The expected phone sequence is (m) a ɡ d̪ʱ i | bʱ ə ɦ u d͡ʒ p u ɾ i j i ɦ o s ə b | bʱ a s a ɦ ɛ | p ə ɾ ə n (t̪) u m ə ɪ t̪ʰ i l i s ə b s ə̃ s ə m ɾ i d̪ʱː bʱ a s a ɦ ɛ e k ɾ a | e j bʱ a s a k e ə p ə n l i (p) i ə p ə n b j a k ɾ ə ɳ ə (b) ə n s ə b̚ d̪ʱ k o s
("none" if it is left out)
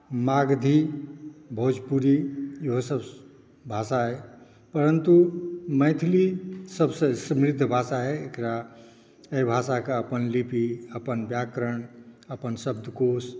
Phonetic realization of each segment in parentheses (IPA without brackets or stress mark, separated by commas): m, t̪, p, p